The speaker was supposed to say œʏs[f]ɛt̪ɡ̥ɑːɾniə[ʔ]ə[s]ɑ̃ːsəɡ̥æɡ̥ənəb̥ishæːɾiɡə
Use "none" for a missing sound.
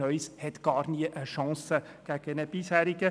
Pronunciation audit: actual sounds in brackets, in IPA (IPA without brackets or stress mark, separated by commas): h, ʔ, ʃ